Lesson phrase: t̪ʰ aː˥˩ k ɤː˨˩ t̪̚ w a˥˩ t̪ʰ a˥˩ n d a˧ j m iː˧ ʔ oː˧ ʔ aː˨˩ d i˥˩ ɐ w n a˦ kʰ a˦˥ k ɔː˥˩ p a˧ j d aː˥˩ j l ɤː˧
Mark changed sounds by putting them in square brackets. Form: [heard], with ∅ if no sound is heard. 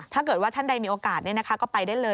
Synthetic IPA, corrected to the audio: t̪ʰ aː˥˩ k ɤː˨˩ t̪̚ w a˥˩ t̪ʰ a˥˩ n d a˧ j m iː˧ ʔ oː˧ [k] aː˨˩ [n] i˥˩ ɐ [∅] n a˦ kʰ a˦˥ k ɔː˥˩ p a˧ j d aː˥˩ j l ɤː˧